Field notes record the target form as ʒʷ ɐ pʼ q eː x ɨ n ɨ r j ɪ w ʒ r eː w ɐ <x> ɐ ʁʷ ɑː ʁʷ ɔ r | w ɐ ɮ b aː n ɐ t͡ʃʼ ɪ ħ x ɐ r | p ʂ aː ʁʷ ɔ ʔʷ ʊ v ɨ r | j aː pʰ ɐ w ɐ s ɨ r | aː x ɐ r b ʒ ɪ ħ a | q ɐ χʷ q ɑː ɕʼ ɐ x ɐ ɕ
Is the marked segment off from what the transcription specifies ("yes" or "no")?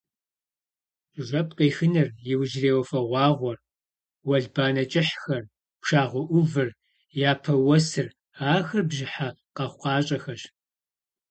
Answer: yes